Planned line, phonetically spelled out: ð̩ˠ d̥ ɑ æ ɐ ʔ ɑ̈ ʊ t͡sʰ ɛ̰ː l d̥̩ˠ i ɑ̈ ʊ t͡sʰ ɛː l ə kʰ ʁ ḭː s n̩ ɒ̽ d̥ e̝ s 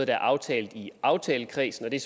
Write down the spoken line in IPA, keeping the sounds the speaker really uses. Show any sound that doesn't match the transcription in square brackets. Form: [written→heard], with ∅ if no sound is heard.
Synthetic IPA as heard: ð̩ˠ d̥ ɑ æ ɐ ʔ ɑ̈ ʊ t͡sʰ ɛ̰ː l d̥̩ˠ i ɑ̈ ʊ t͡sʰ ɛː l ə kʰ ʁ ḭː s n̩ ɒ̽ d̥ e̝ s